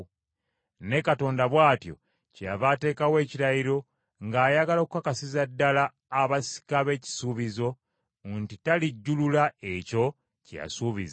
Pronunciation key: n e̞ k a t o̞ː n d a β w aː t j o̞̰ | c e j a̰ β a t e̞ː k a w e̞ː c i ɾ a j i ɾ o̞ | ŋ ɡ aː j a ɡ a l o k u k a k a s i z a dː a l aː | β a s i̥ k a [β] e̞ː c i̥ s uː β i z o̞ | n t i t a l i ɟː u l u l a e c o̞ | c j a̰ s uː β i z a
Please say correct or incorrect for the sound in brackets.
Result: correct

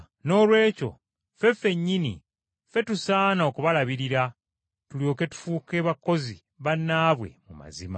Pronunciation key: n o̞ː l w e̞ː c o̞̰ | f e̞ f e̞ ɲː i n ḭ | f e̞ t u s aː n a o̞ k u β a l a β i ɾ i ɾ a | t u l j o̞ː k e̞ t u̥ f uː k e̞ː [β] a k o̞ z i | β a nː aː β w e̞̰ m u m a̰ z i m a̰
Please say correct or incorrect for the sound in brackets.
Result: correct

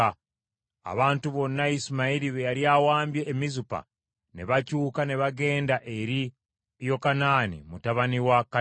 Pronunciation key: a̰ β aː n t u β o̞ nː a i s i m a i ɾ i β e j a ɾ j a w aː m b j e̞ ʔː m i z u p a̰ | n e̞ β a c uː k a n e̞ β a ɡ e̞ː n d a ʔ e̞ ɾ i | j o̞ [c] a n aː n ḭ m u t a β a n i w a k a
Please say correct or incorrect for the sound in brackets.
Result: incorrect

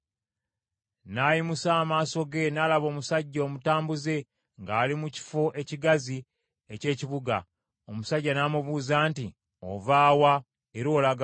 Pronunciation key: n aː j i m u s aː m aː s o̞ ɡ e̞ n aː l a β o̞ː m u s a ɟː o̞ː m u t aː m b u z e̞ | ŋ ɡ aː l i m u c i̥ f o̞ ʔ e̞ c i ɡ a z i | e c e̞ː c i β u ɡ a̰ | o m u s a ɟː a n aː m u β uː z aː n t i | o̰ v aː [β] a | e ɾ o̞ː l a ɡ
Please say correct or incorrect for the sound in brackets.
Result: incorrect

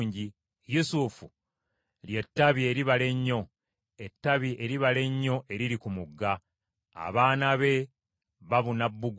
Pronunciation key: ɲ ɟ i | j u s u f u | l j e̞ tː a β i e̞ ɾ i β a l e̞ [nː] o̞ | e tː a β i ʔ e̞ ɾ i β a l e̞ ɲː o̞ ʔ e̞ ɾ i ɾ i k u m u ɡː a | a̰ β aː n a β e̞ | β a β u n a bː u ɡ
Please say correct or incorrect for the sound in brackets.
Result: incorrect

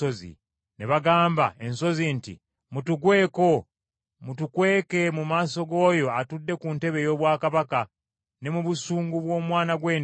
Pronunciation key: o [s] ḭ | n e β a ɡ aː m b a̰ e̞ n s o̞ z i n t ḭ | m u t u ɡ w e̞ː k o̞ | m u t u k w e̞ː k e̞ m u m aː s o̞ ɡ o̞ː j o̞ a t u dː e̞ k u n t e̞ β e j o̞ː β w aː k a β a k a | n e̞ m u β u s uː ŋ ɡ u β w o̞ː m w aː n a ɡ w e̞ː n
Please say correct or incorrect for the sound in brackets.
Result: incorrect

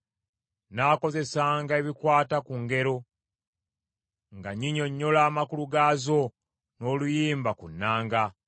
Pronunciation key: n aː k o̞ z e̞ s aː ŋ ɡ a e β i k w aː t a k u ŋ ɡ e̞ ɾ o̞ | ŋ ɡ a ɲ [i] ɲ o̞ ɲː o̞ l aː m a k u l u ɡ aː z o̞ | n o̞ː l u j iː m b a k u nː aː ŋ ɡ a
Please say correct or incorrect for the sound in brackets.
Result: correct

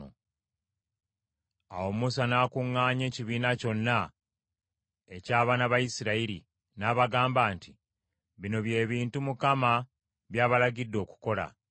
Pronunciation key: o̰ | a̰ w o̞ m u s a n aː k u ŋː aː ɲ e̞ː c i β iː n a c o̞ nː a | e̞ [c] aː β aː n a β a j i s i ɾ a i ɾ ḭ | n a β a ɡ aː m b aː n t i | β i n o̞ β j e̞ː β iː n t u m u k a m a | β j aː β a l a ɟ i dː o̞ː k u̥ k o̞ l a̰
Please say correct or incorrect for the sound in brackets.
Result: correct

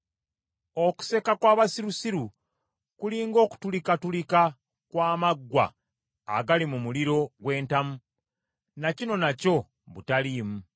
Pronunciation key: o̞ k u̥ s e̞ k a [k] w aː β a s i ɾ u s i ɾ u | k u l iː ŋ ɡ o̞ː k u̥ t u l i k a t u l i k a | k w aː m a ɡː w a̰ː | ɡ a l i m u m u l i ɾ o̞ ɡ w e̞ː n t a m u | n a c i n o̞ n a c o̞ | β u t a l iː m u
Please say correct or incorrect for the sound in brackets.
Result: correct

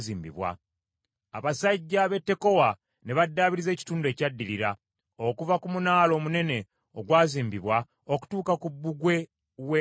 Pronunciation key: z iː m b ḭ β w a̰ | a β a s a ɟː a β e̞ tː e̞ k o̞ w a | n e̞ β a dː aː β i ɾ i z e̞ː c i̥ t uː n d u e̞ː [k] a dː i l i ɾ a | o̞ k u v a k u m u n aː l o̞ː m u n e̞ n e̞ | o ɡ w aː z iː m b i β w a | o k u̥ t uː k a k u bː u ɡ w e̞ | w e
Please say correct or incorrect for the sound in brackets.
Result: incorrect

